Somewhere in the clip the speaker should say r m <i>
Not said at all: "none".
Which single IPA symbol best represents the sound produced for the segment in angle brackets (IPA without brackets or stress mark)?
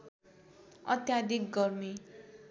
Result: i